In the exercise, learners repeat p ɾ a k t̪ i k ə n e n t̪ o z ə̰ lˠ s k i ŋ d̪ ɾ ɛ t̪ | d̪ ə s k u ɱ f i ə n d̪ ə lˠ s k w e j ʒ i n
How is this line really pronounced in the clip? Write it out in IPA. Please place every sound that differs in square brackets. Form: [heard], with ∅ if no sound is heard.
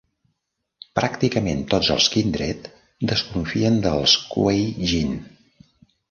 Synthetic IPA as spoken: p ɾ a k t̪ i k ə [m] e n t̪ o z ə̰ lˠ s k i [n] d̪ ɾ ɛ t̪ | d̪ ə s k u ɱ f i ə n d̪ ə lˠ s k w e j ʒ i n